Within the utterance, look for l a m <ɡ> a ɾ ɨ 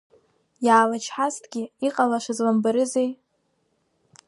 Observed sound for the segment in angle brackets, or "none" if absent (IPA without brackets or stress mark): b